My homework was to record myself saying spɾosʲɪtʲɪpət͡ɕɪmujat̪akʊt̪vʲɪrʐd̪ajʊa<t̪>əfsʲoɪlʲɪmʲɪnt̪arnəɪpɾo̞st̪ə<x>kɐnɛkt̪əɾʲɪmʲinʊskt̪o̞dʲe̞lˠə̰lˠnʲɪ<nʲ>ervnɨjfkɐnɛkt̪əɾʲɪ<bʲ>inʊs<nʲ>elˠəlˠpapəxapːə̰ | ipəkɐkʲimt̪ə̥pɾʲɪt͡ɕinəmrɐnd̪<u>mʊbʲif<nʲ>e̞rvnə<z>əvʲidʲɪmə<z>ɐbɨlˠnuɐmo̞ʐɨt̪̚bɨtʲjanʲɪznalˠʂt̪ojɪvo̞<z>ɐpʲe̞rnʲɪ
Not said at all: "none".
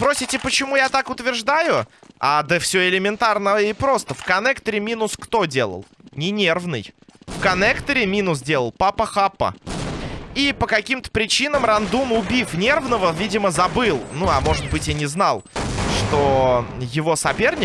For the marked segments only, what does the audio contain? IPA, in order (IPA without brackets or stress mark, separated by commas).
d̪, f, nʲ, mʲ, dʲ, u, nʲ, v, z, s